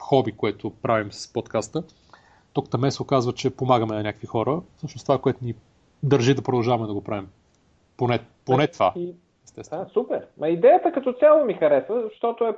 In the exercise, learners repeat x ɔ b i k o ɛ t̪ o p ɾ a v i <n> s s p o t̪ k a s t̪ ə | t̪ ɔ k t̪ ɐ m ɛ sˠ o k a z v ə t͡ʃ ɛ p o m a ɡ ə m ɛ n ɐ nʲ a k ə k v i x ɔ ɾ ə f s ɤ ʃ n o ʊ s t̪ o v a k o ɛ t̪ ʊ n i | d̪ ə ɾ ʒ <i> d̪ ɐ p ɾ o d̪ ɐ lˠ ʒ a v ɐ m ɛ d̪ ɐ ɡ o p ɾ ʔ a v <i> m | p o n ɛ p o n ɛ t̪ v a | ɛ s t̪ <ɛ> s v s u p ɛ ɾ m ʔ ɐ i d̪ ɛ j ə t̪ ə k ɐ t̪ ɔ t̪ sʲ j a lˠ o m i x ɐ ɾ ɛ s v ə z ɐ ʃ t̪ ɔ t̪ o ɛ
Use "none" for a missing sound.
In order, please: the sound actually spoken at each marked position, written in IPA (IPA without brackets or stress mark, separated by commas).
m, i, i, ɛ